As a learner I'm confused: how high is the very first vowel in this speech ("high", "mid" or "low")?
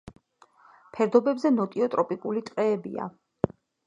mid